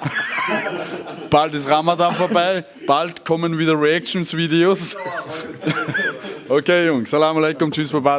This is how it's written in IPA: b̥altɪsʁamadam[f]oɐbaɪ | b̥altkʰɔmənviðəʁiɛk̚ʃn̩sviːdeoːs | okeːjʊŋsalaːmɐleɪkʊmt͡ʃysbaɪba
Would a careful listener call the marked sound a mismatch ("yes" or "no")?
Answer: no